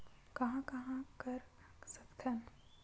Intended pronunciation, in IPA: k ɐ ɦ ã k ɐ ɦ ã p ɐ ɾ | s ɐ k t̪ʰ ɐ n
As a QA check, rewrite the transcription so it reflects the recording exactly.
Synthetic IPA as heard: k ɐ ɦ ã k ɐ ɦ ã k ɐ ɾ | s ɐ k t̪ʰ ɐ n